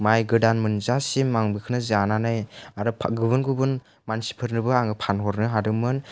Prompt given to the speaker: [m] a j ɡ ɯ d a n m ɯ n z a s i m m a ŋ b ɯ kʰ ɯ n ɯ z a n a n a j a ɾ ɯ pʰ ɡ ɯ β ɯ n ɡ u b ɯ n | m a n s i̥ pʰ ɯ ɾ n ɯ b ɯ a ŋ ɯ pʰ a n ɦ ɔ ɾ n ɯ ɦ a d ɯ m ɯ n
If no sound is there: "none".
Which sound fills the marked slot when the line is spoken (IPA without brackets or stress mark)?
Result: m